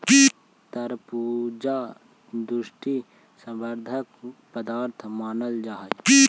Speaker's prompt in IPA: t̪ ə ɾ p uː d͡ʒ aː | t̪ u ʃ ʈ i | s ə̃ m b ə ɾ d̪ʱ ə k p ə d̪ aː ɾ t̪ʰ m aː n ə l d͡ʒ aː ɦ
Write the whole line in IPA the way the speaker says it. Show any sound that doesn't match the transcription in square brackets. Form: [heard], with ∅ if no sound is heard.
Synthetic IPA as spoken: t̪ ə ɾ p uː d͡ʒ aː | [d̪] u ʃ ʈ i | s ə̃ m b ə ɾ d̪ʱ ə k p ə d̪ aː ɾ t̪ʰ m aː n ə l d͡ʒ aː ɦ